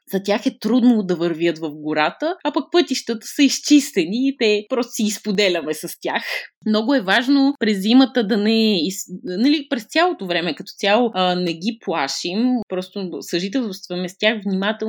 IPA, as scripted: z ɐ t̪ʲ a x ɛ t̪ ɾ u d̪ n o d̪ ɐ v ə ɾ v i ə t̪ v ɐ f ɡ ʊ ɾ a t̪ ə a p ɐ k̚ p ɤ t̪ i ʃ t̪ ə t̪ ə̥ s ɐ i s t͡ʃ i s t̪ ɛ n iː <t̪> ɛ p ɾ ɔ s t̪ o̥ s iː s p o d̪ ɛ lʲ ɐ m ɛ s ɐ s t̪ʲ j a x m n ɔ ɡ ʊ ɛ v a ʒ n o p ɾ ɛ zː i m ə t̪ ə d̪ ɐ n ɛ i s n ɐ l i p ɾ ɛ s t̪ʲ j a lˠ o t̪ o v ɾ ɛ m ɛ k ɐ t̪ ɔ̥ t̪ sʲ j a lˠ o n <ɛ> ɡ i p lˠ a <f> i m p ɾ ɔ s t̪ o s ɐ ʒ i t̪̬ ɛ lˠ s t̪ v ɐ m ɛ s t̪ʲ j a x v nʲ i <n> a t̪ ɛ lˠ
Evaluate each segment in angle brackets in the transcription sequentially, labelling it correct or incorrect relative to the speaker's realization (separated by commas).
correct, correct, incorrect, incorrect